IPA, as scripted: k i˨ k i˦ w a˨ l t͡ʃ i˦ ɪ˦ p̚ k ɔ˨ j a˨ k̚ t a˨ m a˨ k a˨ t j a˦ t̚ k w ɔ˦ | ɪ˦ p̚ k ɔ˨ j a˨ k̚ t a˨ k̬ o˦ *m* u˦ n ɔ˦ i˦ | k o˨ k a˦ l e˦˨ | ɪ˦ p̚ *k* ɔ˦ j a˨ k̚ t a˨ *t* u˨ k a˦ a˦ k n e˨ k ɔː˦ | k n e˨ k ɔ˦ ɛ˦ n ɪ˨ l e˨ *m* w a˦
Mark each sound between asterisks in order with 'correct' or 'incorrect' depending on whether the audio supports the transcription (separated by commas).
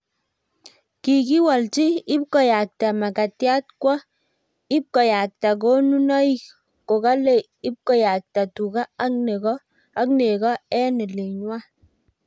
incorrect, correct, correct, incorrect